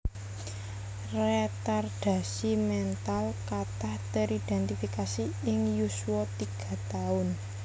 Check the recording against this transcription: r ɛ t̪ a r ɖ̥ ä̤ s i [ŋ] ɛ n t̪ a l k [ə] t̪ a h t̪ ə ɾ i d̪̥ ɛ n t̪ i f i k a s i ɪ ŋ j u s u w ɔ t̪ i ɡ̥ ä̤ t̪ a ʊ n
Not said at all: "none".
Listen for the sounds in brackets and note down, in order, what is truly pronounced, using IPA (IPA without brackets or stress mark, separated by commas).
m, a